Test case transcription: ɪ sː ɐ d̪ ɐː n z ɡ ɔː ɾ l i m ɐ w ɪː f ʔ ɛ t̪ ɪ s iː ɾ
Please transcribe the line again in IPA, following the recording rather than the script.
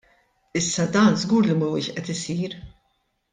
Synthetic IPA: ɪ sː ɐ d̪ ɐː n z ɡ uː ɾ l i m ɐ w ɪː ʃ ʔ ɛ t̪ ɪ s iː ɾ